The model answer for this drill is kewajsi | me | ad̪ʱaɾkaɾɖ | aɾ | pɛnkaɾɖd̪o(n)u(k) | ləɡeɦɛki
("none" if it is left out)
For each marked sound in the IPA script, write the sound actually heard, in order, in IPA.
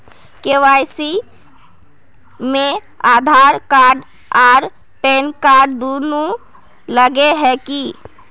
n, none

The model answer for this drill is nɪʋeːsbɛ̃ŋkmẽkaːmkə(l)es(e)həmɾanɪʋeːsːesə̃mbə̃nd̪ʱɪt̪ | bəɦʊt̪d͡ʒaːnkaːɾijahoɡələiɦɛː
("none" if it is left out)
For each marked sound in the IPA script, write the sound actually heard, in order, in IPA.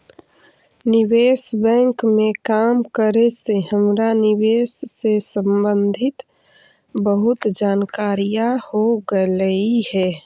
ɾ, e

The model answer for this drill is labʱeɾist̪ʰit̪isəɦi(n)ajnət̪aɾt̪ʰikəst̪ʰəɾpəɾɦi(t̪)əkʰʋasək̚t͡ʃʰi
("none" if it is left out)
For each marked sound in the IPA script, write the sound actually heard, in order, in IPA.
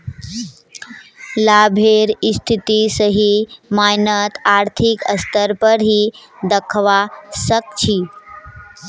m, d̪

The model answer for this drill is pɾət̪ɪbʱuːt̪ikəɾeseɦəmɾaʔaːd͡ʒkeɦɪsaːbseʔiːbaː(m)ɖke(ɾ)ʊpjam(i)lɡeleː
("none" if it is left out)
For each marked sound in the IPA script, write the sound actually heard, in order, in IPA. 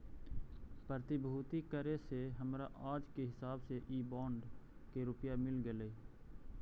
ɳ, ɾ, ɪ

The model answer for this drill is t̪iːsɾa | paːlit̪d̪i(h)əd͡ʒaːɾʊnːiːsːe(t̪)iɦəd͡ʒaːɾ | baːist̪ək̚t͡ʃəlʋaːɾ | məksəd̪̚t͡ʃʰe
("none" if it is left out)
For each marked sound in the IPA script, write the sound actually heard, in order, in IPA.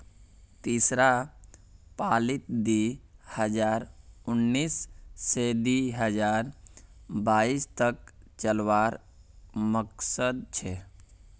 h, d̪

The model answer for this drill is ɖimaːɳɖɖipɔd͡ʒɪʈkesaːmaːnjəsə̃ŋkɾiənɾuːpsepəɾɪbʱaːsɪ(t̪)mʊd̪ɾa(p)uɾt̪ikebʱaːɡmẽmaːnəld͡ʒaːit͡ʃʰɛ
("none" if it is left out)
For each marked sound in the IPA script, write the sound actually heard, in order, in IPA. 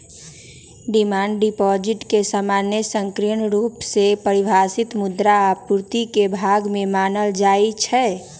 t̪, p

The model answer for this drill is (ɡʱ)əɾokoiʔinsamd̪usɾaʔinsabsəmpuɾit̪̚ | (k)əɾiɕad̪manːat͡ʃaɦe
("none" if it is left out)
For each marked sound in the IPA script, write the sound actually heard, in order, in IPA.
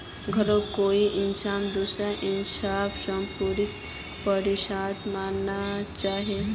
ɡʱ, p

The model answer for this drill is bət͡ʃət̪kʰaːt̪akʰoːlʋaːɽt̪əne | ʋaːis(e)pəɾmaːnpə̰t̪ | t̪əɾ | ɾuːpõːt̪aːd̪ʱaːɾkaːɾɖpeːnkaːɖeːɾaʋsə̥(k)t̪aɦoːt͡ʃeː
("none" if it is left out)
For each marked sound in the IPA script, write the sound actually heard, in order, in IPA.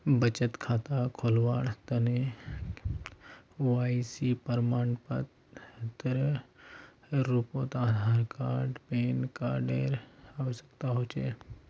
i, k

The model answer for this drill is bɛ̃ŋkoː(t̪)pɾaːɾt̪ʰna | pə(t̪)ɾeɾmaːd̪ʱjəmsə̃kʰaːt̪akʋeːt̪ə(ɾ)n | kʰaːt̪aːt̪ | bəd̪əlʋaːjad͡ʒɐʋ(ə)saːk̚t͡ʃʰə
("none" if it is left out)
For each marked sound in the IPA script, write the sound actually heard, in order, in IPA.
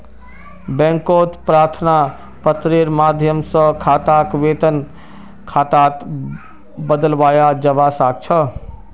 t̪, t̪, none, a

